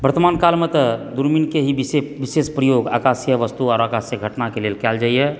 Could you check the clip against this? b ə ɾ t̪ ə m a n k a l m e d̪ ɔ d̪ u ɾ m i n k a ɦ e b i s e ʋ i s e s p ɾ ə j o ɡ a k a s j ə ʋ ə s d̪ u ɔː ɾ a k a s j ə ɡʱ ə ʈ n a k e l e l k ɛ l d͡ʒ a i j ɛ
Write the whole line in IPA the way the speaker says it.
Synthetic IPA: b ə ɾ t̪ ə m a n k a l m e t̪ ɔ d̪ u ɾ m i n k e ɦ i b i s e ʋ i s e s p ɾ ə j o ɡ a k a s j ə ʋ ə s t̪ u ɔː ɾ a k a s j ə ɡʱ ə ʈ n a k e l e l k ɛ l d͡ʒ a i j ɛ

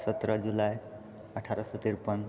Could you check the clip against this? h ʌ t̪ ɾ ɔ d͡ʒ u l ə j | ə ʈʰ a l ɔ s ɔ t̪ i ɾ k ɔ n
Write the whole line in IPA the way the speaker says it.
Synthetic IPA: s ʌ t̪ ɾ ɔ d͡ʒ u l a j | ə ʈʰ a ɾ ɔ s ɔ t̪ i ɾ p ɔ n

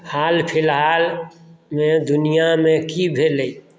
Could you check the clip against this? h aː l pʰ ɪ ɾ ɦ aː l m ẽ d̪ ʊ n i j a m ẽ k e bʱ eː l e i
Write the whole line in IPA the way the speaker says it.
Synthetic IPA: h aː l pʰ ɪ l ɦ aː l m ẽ d̪ ʊ n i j a m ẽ k i bʱ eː l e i

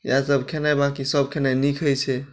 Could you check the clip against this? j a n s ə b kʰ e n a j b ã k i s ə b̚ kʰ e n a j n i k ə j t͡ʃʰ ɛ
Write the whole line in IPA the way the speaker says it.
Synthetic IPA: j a s ə b kʰ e n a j b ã k i s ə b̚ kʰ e n a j n i kʰ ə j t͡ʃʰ ɛ

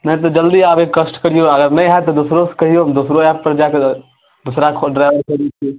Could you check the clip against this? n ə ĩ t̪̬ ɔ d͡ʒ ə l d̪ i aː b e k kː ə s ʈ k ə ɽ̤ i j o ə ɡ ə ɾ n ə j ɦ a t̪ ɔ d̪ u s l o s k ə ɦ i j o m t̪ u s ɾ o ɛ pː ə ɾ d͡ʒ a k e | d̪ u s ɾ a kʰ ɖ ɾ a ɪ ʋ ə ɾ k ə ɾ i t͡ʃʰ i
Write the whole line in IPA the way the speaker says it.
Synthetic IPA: n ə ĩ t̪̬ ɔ d͡ʒ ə l d̪ i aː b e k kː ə s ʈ k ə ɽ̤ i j o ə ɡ ə ɾ n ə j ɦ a t̪ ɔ d̪ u s ɾ o s k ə ɦ i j o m d̪ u s ɾ o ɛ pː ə ɾ d͡ʒ a k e | d̪ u s ɾ a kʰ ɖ ɾ a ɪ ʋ ə ɾ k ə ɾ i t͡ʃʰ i

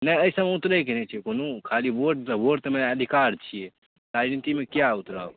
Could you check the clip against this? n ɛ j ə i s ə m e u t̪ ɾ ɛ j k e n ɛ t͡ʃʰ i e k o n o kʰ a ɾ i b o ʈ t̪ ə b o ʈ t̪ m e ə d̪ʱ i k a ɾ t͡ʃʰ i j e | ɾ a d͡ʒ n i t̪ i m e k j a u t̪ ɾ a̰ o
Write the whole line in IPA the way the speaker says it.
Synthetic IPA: n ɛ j ə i s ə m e u t̪ ɾ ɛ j k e n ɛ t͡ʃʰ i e k o n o kʰ a l i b o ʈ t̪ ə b o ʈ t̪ m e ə d̪ʱ i k a ɾ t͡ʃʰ i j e | ɾ a d͡ʒ n i t̪ i m e k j a u t̪ ɾ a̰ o

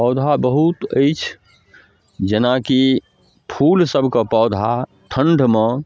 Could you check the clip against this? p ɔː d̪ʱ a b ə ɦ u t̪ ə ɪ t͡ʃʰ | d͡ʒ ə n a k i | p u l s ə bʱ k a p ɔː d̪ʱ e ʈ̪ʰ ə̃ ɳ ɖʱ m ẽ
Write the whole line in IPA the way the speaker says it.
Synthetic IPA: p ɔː d̪ʱ a b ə ɦ u t̪ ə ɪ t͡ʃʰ | d͡ʒ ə n a k i | pʰ u l s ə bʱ k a p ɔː d̪ʱ a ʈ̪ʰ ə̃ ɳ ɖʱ m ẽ

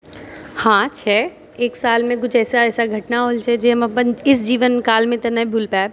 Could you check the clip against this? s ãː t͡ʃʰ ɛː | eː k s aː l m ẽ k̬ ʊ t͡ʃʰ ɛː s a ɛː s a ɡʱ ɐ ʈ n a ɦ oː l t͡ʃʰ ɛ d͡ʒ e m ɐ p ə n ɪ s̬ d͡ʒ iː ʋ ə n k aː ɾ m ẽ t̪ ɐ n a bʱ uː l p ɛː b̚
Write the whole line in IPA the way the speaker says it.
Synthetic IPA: h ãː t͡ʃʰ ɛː | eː k s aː l m ẽ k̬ ʊ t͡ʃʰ ɛː s a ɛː s a ɡʱ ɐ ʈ n a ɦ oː l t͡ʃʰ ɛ d͡ʒ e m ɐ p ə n ɪ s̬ d͡ʒ iː ʋ ə n k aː l m ẽ t̪ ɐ n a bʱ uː l p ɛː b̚

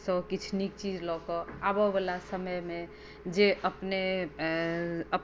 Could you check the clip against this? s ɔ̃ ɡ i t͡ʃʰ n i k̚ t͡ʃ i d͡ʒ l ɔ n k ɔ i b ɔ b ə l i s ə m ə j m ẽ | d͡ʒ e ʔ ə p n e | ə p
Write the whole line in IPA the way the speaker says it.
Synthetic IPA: s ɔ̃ k i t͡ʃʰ n i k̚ t͡ʃ i d͡ʒ l ɔ k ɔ a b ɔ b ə l a s ə m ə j m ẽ | d͡ʒ e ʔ ə p n e | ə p

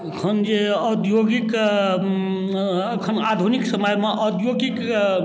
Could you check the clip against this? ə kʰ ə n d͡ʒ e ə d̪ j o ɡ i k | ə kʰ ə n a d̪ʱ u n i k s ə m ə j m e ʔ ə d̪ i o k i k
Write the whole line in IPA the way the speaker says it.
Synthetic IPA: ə kʰ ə n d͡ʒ e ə d̪ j o ɡ i k | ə kʰ ə n a d̪ʱ u n i k s ə m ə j m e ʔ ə d̪ j o ɡ i k

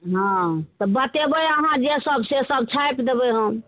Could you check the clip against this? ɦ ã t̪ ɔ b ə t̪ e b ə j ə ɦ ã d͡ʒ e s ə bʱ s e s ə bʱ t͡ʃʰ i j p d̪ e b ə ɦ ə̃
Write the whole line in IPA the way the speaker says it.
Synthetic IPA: ɦ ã t̪ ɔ b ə t̪ e b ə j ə ɦ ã d͡ʒ e s ə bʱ s e s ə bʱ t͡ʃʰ a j p d̪ e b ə ɦ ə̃

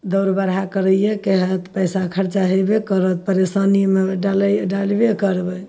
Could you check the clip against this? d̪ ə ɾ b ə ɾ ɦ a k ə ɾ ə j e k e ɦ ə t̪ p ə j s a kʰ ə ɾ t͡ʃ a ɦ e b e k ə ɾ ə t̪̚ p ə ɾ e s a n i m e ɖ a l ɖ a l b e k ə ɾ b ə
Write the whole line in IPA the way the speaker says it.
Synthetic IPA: d̪ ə ɾ b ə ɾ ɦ a k ə ɾ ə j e k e ɦ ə t̪ p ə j s a kʰ ə ɾ t͡ʃ a ɦ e b e k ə ɾ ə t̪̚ p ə ɾ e s a n i m e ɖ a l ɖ a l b e k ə ɾ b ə

